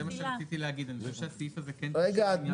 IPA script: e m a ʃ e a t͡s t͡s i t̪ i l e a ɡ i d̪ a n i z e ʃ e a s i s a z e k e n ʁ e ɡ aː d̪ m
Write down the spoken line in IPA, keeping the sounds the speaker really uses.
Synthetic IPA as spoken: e m a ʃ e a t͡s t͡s i t̪ i l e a ɡ i d̪ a n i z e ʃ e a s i f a z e k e n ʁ e ɡ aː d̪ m